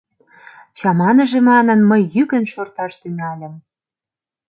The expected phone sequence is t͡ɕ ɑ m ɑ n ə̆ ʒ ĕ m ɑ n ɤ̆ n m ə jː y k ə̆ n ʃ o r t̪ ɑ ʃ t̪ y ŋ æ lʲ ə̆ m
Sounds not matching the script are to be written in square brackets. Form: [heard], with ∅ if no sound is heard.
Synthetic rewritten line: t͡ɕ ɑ m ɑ n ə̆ ʒ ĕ m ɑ n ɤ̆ n m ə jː y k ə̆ n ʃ o r t̪ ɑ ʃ t̪ y ŋ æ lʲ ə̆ m